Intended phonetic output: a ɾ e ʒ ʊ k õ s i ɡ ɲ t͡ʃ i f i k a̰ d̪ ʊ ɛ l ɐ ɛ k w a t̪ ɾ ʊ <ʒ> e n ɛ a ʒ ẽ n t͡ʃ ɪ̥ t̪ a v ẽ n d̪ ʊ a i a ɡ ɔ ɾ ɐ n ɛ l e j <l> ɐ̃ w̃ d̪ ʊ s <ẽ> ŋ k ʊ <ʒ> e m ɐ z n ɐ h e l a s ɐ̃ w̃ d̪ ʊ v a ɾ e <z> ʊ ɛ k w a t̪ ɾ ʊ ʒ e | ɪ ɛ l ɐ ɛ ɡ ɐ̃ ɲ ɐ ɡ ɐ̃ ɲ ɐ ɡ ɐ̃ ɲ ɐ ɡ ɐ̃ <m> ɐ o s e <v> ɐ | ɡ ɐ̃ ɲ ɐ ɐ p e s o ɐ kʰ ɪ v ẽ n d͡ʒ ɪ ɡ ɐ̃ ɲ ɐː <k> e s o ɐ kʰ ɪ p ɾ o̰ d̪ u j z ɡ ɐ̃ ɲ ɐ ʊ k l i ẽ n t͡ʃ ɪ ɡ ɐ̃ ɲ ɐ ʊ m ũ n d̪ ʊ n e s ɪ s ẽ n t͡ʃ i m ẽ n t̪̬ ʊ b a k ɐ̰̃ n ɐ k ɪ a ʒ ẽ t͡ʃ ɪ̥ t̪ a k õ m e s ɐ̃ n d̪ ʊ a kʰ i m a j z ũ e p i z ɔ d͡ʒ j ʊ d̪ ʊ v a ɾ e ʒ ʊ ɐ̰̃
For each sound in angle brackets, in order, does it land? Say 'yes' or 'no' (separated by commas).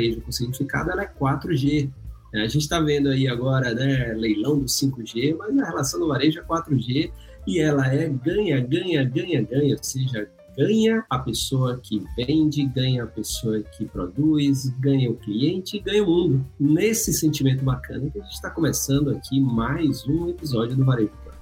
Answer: yes, yes, no, yes, no, no, no, no